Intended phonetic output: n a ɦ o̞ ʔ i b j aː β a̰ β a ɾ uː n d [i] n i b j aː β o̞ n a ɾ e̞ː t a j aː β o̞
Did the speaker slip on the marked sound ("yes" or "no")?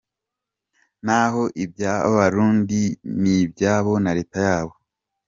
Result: no